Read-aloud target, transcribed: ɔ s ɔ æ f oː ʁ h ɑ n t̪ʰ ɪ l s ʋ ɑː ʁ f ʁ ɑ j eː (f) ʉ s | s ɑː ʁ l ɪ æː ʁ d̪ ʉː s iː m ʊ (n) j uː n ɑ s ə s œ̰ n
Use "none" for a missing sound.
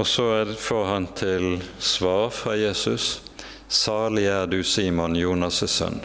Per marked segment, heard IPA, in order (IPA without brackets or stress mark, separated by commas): s, n